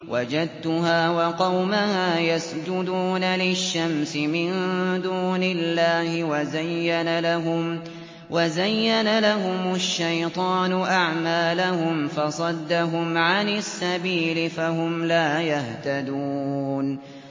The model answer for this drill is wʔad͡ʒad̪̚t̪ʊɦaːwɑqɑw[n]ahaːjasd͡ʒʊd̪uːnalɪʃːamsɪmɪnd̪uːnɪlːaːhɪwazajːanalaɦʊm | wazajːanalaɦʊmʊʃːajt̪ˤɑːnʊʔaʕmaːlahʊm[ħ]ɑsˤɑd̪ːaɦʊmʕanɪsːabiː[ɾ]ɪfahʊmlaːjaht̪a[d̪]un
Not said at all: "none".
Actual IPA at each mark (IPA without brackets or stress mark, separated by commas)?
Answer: m, f, l, d̪